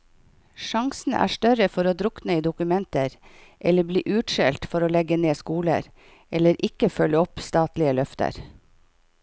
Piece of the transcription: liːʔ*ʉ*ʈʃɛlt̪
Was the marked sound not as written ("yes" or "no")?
yes